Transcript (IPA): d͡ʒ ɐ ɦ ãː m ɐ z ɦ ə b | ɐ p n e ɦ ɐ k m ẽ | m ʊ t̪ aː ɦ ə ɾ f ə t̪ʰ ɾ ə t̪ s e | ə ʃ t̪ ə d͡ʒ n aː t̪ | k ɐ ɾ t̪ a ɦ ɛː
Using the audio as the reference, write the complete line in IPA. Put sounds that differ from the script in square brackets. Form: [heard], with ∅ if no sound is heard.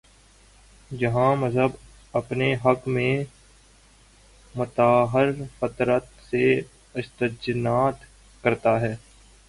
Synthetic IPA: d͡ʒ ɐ ɦ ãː m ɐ z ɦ ə b | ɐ p n e ɦ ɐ k m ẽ | m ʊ t̪ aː ɦ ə ɾ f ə [t̪] ɾ ə t̪ s e | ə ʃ t̪ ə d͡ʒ n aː t̪ | k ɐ ɾ t̪ a ɦ ɛː